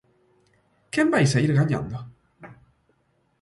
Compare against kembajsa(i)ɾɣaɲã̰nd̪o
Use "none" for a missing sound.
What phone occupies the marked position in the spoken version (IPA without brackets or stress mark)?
i